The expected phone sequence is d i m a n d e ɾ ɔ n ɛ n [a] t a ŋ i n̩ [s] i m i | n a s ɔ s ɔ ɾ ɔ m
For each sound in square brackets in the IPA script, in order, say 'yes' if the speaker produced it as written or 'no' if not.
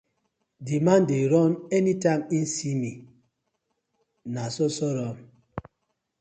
no, yes

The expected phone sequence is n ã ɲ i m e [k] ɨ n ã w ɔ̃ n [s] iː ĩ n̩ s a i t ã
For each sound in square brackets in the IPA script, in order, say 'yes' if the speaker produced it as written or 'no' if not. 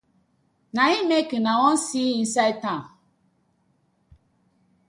yes, yes

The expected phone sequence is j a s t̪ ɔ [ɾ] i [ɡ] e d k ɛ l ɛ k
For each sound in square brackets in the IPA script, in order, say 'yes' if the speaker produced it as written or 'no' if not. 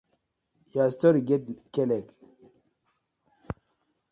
yes, yes

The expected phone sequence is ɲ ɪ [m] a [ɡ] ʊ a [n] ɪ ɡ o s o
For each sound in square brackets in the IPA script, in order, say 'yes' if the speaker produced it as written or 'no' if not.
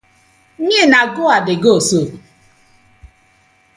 no, yes, no

